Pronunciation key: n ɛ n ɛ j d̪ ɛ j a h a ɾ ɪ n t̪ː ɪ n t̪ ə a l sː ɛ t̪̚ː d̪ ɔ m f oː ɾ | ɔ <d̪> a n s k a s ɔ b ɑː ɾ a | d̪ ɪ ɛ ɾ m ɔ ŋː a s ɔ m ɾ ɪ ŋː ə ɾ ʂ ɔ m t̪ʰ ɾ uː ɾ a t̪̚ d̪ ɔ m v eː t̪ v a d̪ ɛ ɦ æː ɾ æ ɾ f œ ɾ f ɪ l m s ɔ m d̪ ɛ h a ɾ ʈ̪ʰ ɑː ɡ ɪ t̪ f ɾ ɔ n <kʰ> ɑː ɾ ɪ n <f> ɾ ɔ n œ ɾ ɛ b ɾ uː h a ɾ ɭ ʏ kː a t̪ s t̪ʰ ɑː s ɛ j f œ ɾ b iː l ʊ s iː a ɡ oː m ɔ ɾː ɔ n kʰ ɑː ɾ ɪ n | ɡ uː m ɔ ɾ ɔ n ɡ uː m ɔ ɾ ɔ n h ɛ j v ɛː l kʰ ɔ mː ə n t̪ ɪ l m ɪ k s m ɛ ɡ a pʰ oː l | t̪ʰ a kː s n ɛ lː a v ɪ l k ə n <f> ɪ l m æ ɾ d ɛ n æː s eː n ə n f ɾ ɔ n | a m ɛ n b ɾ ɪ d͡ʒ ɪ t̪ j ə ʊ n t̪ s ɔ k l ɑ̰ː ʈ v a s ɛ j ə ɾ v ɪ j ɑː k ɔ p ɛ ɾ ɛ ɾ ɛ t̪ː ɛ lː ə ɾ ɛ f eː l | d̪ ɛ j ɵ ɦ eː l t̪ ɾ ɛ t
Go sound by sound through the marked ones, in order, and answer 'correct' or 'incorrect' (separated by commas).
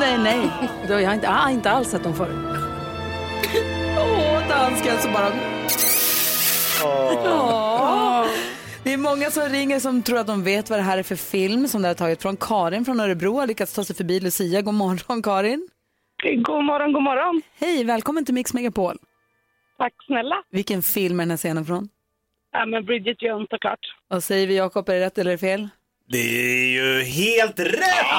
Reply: correct, correct, correct, correct